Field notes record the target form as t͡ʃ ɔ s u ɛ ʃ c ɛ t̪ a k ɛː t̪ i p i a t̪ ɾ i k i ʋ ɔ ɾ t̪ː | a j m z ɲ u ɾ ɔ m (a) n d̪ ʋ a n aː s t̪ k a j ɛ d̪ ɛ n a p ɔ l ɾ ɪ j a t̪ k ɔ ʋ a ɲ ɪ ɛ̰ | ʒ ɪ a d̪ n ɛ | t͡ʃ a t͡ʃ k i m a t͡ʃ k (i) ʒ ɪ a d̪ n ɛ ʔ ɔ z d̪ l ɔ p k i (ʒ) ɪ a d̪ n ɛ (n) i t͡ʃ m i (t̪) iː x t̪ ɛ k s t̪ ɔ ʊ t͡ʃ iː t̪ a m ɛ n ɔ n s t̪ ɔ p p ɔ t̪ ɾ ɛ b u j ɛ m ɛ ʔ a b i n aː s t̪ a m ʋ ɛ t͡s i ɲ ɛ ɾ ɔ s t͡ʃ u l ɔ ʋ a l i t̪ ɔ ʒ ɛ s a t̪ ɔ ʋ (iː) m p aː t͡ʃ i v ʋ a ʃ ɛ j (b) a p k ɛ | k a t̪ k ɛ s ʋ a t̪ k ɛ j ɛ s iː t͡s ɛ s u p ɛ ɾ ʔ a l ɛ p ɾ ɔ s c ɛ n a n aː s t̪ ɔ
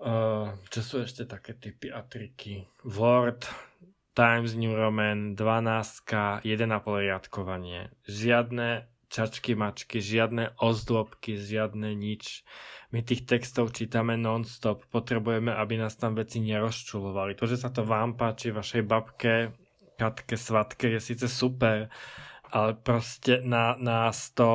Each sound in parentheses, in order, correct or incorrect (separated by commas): incorrect, correct, correct, incorrect, correct, incorrect, correct